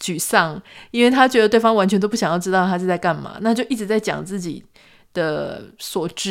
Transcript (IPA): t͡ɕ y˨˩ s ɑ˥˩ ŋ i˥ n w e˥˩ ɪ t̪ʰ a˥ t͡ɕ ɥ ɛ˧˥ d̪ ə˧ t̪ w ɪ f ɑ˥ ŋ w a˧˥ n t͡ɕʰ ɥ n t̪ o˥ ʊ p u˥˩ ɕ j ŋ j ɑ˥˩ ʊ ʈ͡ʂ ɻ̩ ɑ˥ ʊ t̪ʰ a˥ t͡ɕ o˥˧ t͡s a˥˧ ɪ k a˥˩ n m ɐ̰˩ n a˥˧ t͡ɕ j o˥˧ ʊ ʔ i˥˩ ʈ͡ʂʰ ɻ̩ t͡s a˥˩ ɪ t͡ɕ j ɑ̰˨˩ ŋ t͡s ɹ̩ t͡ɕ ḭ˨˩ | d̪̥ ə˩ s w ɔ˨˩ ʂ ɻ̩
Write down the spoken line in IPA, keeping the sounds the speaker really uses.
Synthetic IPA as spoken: t͡ɕ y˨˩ s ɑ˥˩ ŋ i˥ n w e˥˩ ɪ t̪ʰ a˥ t͡ɕ ɥ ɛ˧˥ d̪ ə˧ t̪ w ɪ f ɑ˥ ŋ w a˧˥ n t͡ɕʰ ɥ n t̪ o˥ ʊ p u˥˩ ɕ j ŋ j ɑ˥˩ ʊ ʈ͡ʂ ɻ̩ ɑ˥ ʊ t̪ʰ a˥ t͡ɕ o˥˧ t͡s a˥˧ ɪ k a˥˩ n m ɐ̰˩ n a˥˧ t͡ɕ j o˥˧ ʊ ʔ i˥˩ ʈ͡ʂ ɻ̩ t͡s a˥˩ ɪ t͡ɕ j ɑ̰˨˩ ŋ t͡s ɹ̩ t͡ɕ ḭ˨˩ | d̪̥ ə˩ s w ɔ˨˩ ʈ͡ʂ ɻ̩